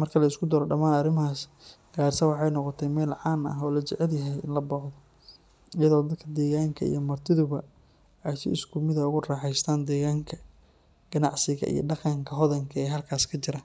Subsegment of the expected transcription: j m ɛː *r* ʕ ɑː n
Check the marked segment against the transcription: incorrect: l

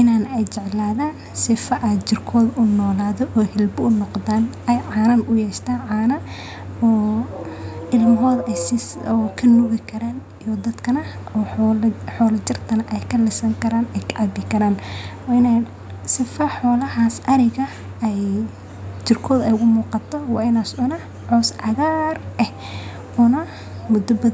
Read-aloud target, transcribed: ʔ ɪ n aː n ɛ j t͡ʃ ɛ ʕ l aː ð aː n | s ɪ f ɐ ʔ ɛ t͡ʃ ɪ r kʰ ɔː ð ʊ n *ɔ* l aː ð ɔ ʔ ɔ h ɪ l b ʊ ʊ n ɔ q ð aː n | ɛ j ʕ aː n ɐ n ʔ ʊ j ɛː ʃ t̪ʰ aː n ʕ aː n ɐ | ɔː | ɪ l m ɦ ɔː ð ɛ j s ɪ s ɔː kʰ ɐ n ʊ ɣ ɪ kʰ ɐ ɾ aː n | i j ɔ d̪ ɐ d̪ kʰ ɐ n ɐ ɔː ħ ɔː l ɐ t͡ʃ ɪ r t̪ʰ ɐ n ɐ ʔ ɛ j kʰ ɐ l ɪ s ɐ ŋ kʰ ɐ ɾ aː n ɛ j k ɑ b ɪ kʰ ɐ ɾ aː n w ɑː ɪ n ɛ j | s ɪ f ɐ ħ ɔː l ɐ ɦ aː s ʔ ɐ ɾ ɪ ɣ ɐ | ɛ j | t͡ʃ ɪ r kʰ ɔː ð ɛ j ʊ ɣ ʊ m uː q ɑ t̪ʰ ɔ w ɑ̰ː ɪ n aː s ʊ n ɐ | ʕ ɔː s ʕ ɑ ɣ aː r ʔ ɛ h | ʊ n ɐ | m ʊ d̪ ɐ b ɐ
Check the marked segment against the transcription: incorrect: ɔː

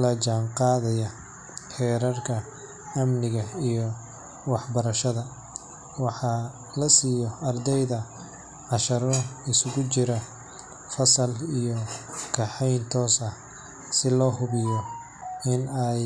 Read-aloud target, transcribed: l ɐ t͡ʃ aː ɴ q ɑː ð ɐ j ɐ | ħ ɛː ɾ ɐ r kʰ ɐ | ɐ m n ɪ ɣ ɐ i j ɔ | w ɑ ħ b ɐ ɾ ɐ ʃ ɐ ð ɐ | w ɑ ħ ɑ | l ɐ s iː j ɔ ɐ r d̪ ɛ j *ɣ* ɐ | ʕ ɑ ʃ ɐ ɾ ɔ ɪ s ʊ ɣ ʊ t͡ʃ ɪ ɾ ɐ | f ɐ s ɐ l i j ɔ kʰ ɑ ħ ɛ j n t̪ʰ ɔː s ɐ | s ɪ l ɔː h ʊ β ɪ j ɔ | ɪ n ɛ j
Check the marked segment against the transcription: incorrect: ð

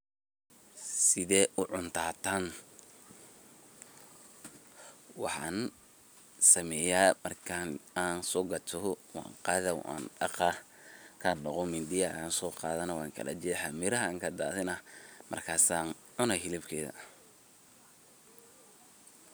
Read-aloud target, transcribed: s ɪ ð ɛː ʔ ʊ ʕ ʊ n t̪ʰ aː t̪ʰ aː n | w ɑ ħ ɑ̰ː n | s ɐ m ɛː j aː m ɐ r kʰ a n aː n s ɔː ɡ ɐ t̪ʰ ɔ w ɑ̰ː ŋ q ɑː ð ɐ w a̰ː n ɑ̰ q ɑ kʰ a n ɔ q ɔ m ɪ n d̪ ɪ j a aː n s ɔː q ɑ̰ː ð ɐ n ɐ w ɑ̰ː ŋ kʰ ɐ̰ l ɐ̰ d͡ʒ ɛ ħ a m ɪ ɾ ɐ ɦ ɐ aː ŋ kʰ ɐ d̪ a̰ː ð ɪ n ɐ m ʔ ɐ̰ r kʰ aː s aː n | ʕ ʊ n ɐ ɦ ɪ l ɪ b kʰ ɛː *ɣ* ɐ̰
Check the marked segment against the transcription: incorrect: ð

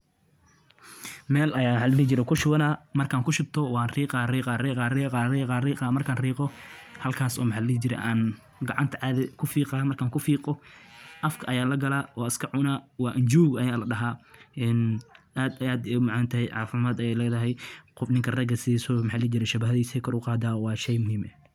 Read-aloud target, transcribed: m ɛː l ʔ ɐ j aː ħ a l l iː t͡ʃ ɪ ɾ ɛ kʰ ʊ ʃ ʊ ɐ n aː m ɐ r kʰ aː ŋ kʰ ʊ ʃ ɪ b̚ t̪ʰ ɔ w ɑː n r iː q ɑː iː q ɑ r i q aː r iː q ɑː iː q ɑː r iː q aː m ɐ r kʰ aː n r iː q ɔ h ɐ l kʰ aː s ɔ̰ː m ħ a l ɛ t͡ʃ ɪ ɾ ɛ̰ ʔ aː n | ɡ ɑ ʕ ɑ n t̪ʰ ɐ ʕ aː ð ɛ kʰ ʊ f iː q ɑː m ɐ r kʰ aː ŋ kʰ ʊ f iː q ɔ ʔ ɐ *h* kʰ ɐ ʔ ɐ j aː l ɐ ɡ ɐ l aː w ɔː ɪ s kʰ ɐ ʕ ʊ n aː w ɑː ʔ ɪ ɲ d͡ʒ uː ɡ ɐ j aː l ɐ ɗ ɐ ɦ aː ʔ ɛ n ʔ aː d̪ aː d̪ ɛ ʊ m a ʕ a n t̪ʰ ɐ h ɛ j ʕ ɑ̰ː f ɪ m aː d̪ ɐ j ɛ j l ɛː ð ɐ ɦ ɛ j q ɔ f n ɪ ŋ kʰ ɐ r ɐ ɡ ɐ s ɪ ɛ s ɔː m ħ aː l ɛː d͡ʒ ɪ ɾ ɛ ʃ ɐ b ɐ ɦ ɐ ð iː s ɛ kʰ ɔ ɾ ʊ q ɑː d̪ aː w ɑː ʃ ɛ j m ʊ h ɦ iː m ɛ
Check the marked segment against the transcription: incorrect: f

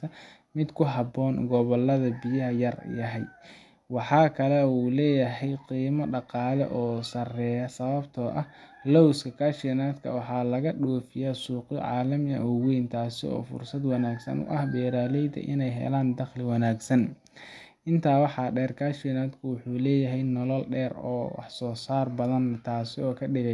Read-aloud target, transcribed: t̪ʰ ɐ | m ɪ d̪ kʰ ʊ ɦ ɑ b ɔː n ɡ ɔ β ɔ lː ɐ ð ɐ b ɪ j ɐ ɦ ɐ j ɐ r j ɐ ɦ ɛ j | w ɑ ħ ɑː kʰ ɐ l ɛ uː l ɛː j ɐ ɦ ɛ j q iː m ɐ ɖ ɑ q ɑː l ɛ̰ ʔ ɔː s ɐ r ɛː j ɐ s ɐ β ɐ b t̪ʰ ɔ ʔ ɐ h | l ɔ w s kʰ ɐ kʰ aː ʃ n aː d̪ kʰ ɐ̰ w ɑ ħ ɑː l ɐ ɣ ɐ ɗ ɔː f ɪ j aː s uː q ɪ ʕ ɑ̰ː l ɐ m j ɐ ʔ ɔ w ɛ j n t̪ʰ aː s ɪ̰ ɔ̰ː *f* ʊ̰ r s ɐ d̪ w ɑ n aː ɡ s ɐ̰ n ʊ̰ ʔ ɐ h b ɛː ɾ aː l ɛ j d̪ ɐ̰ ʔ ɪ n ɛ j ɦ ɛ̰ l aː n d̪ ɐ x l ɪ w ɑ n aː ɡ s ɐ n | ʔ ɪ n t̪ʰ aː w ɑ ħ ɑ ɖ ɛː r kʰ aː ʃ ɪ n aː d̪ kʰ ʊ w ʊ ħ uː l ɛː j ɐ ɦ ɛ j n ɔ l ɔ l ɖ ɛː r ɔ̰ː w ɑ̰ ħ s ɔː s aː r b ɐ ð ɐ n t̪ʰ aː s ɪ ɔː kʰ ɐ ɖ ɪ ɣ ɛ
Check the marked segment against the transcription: correct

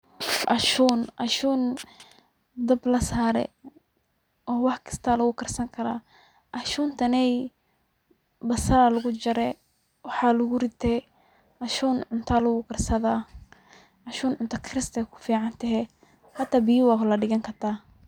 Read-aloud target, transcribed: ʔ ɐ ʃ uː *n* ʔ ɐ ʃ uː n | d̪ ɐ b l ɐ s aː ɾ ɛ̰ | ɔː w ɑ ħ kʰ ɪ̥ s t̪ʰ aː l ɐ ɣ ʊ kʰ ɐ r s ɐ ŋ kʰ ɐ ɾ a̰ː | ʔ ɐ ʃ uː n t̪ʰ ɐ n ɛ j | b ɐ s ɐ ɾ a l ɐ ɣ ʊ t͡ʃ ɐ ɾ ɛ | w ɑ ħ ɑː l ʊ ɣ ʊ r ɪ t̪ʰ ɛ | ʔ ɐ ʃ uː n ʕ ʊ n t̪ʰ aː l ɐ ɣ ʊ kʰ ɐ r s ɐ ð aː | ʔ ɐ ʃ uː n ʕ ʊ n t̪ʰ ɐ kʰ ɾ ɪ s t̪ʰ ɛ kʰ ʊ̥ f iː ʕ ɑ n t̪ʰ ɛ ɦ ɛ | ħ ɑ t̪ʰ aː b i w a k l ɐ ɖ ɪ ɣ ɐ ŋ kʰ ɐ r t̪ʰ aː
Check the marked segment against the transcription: correct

